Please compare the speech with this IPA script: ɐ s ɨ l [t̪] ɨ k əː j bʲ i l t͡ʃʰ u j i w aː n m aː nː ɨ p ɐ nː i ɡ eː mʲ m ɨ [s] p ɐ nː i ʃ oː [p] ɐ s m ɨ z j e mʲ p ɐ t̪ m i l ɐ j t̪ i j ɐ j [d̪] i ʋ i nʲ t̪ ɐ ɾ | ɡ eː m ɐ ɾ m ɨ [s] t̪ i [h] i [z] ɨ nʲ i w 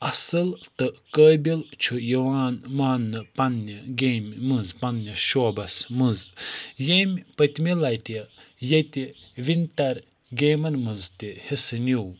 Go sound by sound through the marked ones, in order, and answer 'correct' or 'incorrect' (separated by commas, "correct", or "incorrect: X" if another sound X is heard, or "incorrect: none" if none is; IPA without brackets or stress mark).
correct, incorrect: z, incorrect: b, incorrect: t̪, incorrect: z, correct, incorrect: s